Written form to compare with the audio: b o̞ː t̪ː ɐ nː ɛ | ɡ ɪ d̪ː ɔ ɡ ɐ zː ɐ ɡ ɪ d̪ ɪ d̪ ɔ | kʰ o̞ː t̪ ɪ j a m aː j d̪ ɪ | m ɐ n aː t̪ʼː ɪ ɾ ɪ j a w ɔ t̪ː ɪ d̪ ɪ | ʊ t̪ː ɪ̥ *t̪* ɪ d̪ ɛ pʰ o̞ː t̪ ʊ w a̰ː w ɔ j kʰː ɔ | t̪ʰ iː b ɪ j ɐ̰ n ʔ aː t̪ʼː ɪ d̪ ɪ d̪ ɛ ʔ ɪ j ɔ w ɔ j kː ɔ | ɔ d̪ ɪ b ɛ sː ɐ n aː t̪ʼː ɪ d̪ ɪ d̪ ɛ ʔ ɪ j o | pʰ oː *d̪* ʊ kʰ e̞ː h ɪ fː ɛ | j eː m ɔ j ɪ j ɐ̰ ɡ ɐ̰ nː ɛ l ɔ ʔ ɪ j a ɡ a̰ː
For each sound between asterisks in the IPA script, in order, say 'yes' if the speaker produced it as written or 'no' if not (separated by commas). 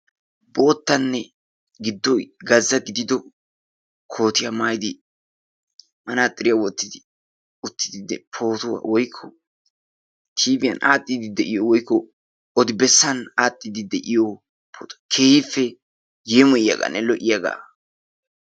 no, no